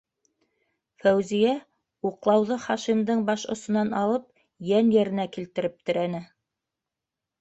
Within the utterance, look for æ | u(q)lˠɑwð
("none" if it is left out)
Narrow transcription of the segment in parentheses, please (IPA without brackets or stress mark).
q